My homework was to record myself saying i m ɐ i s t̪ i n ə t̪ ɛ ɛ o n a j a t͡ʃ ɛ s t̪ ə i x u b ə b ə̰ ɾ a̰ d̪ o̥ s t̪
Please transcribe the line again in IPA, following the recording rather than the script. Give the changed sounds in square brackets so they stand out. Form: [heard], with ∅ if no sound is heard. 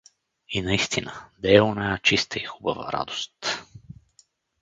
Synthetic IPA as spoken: i [n] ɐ i s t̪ i n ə [d̪] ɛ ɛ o n a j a t͡ʃ [i] s t̪ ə i x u b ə [v] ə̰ ɾ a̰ d̪ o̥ s t̪